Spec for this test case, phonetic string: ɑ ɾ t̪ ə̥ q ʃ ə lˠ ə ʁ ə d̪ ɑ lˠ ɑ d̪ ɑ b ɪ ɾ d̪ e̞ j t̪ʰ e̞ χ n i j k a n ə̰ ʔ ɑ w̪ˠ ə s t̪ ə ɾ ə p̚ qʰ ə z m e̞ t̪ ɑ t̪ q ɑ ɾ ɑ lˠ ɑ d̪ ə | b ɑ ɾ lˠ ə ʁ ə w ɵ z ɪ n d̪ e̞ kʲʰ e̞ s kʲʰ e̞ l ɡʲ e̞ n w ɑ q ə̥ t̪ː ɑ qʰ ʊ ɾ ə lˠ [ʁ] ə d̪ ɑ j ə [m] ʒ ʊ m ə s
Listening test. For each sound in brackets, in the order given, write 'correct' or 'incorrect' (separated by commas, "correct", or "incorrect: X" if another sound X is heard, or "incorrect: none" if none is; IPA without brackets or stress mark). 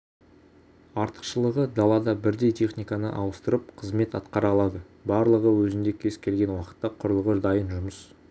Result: correct, incorrect: n